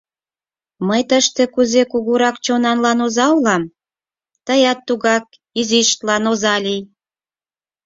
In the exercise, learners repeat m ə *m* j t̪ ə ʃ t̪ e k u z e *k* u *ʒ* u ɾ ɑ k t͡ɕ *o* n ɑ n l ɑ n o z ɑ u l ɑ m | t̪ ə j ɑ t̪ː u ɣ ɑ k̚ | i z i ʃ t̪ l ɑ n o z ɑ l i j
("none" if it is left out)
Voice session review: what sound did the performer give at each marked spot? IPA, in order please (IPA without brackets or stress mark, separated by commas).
none, k, ɣ, o